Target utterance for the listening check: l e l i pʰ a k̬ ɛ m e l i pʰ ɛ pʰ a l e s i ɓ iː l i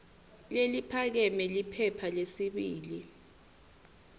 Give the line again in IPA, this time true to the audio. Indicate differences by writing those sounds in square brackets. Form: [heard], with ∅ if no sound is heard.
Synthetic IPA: l e l i pʰ a k̬ ɛ m [ɛ] l i pʰ ɛ pʰ a l e s i ɓ iː l i